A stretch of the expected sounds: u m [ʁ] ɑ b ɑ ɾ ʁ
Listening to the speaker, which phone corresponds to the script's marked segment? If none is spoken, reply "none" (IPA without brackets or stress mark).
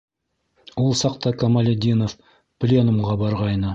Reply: ʁ